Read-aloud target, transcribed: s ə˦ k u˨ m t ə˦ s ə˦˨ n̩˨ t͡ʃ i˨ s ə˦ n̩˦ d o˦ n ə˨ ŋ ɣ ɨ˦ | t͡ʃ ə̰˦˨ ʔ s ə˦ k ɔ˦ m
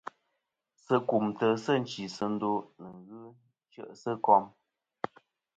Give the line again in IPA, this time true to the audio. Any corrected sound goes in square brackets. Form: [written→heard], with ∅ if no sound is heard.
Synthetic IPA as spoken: s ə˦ k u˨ m t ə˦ s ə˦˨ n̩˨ t͡ʃ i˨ s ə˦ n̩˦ d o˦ n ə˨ ŋ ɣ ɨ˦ | t͡ʃ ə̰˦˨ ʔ s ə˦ k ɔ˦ m